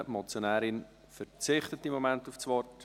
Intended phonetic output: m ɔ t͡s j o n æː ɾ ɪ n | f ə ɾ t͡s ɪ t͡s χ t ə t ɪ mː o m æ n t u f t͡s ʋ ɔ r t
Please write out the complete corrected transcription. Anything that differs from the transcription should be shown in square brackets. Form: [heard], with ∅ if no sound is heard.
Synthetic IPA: m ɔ t͡s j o n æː ɾ ɪ n | f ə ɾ t͡s ɪ [∅] χ t ə t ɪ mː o m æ n t u f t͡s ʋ ɔ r t

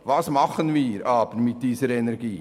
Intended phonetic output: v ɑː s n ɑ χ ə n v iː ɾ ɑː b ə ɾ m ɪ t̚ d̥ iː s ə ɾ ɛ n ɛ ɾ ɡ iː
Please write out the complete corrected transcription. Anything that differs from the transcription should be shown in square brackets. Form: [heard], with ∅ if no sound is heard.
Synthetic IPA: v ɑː s [m] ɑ χ ə n v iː ɾ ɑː b ə ɾ m ɪ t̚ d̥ iː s ə ɾ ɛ n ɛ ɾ ɡ iː

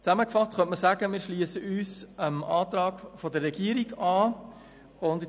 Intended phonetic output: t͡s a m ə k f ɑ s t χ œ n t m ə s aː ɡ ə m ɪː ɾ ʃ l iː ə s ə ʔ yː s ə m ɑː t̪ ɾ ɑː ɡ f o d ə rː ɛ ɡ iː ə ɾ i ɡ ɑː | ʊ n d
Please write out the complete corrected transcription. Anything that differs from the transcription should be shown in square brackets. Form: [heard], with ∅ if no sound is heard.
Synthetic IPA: t͡s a m ə k f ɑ s t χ œ n t m ə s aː ɡ ə m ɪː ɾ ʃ l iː ə s ə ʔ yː s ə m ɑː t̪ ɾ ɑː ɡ f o d ə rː ɛ ɡ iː ə ɾ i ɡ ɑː | ʊ n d

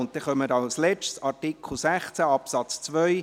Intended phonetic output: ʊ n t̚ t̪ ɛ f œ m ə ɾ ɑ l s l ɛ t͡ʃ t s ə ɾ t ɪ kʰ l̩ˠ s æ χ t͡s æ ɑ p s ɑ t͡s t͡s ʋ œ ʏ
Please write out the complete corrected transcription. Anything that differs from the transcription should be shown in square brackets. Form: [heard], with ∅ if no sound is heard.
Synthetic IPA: ʊ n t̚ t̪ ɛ [χ] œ m ə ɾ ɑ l s l ɛ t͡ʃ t s [ɑ] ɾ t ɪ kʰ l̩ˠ s æ χ t͡s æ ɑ p s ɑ t͡s t͡s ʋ œ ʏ

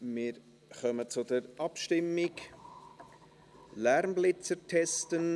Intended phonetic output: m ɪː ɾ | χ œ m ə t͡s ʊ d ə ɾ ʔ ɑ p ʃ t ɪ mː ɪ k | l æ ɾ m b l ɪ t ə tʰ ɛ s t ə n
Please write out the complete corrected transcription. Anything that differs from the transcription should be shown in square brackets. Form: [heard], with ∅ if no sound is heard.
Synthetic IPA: m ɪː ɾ | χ œ m ə t͡s ʊ d ə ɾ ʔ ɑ p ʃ t ɪ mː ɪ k | l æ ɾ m b l ɪ [t͡s] ə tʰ ɛ s t ə n

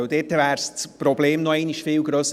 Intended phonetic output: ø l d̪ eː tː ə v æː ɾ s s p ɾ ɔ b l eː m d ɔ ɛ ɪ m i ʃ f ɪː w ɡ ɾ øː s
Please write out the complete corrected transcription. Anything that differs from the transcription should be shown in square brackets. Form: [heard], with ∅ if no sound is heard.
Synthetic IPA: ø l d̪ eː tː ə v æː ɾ s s p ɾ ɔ b l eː m [n] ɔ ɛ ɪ [n] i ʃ f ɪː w ɡ ɾ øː s

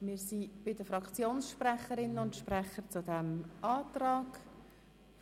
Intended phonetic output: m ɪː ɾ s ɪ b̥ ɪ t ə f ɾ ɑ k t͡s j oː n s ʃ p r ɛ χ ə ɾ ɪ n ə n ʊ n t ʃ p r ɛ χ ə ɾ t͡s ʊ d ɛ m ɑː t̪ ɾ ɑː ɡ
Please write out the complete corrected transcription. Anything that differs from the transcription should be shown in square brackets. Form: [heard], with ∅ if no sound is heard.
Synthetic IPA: m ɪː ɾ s [i] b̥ ɪ [d] ə f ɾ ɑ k t͡s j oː n s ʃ p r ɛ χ ə ɾ ɪ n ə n ʊ n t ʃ p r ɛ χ ə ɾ t͡s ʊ d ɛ m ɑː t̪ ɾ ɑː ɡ

